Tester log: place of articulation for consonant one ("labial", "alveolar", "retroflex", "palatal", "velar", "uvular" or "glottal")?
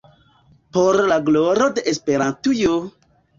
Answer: labial